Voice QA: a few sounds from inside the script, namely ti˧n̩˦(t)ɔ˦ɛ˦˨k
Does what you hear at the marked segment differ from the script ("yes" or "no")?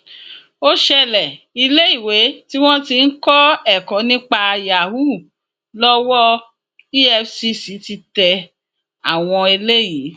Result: yes